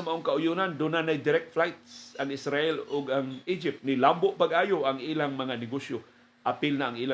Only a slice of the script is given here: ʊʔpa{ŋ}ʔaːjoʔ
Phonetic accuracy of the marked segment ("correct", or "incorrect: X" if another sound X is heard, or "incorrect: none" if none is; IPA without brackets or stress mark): incorrect: ɡ